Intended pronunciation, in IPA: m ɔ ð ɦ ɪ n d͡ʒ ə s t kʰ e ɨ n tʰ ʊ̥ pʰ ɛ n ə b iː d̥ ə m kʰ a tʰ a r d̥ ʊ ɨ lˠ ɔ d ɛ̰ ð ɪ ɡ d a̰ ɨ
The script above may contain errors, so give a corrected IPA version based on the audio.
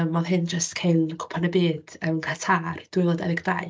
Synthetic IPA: m ɔ ð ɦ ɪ n d͡ʒ ə s t kʰ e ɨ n kʰ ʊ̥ pʰ a n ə b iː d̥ ə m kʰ a tʰ a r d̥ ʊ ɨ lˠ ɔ d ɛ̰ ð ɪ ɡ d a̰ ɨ